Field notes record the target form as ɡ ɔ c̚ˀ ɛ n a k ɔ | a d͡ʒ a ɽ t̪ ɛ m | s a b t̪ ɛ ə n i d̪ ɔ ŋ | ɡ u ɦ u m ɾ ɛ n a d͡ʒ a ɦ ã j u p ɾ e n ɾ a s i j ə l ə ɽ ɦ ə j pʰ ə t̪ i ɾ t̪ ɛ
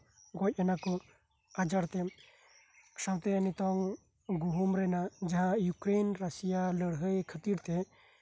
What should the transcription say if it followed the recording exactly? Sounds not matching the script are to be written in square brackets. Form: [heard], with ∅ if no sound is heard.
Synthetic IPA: ɡ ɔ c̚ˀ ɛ n a k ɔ | a d͡ʒ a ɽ t̪ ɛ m | s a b t̪ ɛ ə n i [t̪] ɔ ŋ | ɡ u ɦ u m ɾ ɛ n a d͡ʒ a ɦ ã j u [k] ɾ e n ɾ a s i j [a] l ə ɽ ɦ ə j [kʰ] ə t̪ i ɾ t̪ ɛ

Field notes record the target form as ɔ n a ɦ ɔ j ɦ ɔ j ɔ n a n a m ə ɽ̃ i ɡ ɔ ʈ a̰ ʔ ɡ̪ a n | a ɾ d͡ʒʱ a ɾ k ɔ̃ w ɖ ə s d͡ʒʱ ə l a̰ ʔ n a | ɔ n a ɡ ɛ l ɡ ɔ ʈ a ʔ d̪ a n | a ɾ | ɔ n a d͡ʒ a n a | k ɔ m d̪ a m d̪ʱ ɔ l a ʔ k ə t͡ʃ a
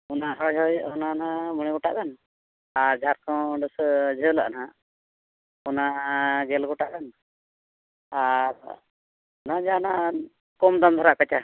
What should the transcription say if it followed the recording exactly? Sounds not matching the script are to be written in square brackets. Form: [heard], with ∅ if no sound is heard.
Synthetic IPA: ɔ n a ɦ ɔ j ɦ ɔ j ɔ n a n a m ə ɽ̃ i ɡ ɔ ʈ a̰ ʔ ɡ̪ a n | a ɾ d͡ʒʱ a ɾ k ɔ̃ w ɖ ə s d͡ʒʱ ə l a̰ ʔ n a | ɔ n a ɡ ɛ l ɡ ɔ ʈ a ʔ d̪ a n | a ɾ | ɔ n a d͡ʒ a n a | k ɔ m d̪ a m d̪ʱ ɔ [ɾ] a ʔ k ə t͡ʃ a

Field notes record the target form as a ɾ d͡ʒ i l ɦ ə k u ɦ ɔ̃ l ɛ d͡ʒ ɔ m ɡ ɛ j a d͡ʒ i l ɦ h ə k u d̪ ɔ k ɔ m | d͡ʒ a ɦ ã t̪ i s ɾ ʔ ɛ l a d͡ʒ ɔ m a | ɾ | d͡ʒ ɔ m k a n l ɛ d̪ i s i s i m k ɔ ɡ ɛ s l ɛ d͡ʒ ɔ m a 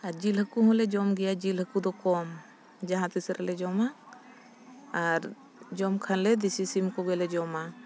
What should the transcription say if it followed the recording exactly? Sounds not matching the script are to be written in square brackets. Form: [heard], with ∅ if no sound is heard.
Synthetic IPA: a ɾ d͡ʒ i l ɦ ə k u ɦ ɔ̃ l ɛ d͡ʒ ɔ m ɡ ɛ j a d͡ʒ i l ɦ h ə k u d̪ ɔ k ɔ m | d͡ʒ a ɦ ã t̪ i s ɾ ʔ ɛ l [ɛ] d͡ʒ ɔ m a | ɾ | d͡ʒ ɔ m [kʰ] a n l ɛ d̪ i s i s i m k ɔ ɡ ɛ [∅] l ɛ d͡ʒ ɔ m a

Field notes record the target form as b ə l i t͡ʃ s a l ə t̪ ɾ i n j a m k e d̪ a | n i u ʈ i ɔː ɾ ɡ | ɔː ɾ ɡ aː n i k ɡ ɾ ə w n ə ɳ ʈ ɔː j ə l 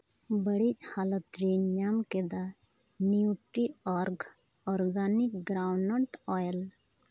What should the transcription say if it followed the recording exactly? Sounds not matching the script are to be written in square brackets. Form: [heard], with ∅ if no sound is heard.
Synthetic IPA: b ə [ɽ] i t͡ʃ [h] a l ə t̪ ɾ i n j a m k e d̪ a | n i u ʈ i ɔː ɾ ɡ | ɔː ɾ ɡ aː n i k ɡ ɾ [a] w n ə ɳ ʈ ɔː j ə l

